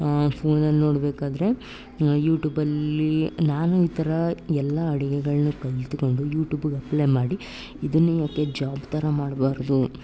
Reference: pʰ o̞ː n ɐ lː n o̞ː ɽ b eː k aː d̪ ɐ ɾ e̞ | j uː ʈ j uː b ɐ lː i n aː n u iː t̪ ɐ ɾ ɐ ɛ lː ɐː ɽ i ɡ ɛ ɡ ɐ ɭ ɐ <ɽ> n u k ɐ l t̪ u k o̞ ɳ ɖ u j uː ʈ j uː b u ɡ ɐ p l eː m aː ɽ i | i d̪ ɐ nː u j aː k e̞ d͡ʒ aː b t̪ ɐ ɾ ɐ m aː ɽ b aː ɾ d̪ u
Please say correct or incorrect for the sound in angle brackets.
incorrect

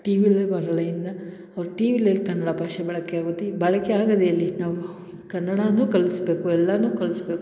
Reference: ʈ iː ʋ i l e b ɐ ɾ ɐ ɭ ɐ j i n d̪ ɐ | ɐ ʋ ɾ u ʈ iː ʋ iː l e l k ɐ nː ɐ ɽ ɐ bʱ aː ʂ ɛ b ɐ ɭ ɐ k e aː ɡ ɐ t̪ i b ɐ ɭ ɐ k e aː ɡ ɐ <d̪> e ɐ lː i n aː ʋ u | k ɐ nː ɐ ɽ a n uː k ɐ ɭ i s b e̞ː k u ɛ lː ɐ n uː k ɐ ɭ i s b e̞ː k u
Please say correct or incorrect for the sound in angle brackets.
correct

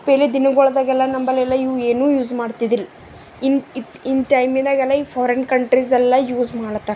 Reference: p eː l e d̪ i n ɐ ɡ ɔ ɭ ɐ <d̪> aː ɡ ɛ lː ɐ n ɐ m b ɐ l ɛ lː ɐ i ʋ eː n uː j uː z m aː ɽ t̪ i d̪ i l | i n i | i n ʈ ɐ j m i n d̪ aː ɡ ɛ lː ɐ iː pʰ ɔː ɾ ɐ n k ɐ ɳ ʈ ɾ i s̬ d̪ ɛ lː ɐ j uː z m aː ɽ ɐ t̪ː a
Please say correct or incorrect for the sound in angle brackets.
correct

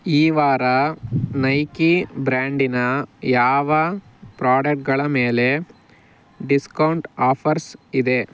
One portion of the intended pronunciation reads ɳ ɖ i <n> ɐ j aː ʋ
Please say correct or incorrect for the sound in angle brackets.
correct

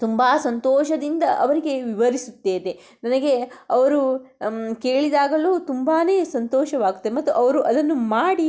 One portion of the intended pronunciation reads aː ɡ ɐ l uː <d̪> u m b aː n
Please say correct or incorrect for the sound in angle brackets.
incorrect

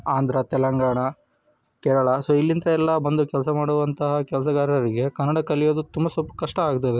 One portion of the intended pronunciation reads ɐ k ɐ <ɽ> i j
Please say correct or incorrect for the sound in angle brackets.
incorrect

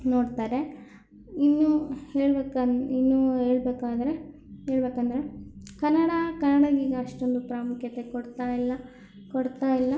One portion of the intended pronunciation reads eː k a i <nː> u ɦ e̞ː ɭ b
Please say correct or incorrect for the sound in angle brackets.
correct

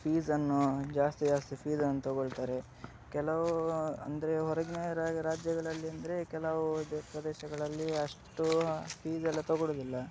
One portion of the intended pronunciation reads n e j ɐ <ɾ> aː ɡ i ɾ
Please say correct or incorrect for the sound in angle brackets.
correct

